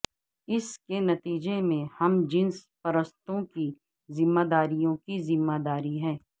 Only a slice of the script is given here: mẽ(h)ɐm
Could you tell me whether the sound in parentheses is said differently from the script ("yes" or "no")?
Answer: no